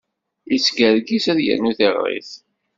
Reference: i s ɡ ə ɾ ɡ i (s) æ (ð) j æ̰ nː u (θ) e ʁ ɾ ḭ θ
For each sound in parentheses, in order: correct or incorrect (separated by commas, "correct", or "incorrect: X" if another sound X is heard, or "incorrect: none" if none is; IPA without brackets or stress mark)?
correct, correct, correct